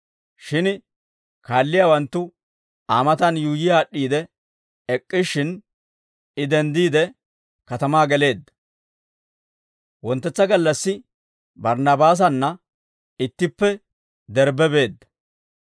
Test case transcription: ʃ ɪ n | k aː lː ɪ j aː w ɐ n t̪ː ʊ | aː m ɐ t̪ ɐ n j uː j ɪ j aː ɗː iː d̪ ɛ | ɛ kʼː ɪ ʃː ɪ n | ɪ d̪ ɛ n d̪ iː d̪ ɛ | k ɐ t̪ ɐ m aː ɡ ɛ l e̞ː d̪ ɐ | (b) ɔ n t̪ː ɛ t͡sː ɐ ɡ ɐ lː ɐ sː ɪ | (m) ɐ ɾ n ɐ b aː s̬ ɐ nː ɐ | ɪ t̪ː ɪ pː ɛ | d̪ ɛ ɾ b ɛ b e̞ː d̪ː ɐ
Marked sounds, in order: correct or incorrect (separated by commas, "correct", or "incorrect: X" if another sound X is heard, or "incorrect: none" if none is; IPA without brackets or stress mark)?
incorrect: w, incorrect: b